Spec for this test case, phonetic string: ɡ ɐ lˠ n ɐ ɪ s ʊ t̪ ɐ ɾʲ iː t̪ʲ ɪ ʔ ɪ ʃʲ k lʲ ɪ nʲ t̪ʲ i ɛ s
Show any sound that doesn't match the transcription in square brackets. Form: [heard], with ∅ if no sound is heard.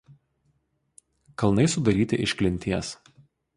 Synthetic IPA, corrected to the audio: [k] ɐ lˠ n ɐ ɪ s ʊ [d̪] ɐ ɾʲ iː t̪ʲ ɪ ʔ ɪ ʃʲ k lʲ ɪ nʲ t̪ʲ i ɛ s